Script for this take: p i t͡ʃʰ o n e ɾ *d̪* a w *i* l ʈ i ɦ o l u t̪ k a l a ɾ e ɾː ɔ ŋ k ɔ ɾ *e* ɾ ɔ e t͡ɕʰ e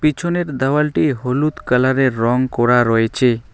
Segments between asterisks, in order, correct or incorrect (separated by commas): correct, incorrect, incorrect